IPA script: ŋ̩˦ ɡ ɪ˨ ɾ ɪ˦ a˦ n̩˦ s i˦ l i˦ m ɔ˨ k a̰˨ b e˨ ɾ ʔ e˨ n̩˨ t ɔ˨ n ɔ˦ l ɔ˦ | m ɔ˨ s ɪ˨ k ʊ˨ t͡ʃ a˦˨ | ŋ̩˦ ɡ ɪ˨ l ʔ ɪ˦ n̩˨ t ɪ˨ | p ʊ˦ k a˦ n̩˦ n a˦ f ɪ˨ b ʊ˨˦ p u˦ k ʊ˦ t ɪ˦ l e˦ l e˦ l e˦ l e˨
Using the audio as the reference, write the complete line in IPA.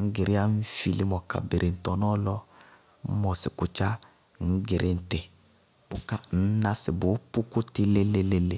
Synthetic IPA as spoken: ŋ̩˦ ɡ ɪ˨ ɾ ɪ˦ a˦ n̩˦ f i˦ l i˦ m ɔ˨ k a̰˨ b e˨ ɾ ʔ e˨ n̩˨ t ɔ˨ n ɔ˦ l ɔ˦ | m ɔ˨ s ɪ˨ k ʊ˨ t͡ʃ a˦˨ | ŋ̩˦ ɡ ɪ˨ ɾ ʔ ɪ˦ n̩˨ t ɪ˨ | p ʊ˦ k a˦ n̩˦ n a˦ s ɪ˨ b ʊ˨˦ p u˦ k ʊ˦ t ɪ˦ l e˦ l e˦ l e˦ l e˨